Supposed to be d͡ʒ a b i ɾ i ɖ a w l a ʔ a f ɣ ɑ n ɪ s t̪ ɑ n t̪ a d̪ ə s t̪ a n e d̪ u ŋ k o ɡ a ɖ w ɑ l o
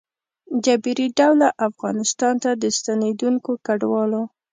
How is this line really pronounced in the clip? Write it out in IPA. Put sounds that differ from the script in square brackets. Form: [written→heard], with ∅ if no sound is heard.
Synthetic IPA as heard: d͡ʒ a b i ɾ i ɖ a w l a ʔ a f ɣ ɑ n ɪ s t̪ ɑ n t̪ a d̪ ə s t̪ a n e d̪ u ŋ k o [ɡ→k] a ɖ w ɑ l o